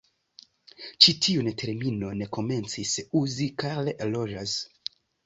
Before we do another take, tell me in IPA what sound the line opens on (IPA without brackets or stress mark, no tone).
t͡ʃ